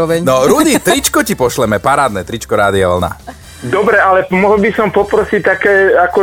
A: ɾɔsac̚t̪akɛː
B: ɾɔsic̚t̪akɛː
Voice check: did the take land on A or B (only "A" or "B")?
B